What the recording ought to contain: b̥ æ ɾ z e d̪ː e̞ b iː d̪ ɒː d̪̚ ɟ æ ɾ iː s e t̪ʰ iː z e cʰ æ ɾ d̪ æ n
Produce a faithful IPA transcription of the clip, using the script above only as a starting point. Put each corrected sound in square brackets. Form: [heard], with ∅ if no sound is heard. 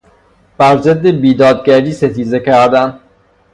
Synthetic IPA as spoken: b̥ æ ɾ z e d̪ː e̞ b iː d̪ ɒː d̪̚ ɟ æ ɾ iː s e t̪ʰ iː z e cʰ æ ɾ d̪ æ n